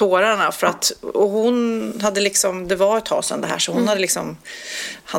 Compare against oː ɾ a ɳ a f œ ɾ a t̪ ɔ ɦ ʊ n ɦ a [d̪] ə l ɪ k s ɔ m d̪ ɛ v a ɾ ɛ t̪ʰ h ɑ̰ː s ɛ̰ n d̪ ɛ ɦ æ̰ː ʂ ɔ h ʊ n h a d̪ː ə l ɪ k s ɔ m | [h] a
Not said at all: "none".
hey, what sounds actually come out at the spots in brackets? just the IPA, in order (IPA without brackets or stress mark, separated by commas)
d̪ː, h